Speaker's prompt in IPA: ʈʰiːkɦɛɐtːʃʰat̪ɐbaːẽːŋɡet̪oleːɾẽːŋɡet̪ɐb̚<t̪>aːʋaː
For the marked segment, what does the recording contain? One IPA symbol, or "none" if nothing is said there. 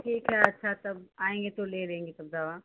d̪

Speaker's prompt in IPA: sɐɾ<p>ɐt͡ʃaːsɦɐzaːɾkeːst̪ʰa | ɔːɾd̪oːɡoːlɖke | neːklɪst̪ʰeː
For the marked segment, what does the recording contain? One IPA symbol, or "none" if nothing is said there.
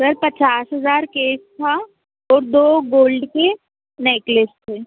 p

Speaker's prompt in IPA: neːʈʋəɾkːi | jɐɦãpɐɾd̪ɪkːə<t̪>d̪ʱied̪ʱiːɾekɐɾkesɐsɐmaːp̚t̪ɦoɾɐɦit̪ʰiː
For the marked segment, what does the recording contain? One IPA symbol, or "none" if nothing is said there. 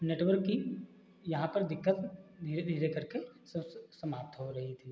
t̪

